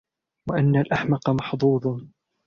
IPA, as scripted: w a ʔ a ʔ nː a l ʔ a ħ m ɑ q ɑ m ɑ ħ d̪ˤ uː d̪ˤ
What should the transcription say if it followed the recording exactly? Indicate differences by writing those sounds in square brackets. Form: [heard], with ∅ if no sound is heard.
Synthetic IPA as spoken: w a ʔ a [∅] nː a l ʔ a ħ m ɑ q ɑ m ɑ ħ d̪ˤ uː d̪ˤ